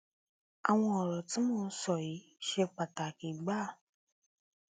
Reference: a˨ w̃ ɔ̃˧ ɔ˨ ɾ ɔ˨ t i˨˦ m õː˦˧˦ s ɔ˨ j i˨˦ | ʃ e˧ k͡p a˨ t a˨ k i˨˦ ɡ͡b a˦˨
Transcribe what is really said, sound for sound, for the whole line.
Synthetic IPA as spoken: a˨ w̃ ɔ̃˧ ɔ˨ ɾ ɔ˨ t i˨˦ m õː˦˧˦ s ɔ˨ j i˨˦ | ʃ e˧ k͡p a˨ t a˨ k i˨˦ ɡ͡b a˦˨